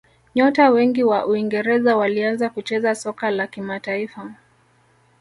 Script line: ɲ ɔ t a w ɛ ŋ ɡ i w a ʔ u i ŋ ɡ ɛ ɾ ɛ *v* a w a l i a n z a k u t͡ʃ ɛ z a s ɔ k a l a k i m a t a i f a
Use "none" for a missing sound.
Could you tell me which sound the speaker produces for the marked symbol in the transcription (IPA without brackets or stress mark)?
z